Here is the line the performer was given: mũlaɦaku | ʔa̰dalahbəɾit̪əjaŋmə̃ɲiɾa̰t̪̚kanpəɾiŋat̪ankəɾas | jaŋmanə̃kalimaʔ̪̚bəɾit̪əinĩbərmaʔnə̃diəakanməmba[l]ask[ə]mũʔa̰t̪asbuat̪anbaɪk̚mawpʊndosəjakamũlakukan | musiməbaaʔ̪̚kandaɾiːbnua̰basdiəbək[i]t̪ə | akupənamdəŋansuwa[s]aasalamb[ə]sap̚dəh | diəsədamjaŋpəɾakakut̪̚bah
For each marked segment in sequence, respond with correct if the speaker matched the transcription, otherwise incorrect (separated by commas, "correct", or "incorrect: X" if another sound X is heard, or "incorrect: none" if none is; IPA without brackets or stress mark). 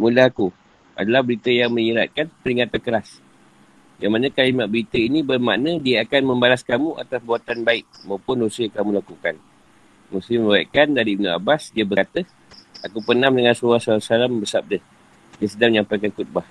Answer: correct, incorrect: a, incorrect: a, correct, correct